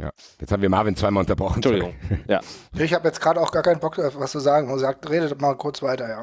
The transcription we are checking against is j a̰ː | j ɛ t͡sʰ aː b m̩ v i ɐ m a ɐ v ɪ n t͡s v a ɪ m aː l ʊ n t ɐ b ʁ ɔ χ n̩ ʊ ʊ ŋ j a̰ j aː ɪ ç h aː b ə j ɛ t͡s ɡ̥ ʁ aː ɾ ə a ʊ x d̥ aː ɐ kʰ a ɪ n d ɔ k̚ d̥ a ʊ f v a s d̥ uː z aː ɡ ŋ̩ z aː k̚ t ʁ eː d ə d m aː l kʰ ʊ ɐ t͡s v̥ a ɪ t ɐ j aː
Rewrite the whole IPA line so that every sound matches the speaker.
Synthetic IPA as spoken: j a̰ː | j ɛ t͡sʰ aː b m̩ v i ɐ m a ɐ v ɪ n t͡s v a ɪ m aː l ʊ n t ɐ b ʁ ɔ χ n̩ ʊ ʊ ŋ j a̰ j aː ɪ ç h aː b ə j ɛ t͡s ɡ̥ ʁ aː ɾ ə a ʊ x ɡ̥ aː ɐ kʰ a ɪ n b ɔ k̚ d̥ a ʊ f v a s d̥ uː z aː ɡ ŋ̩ z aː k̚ t ʁ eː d ə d m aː l kʰ ʊ ɐ t͡s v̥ a ɪ t ɐ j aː